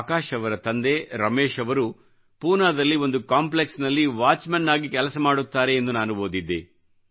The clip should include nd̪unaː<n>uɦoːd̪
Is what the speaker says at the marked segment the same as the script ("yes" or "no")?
yes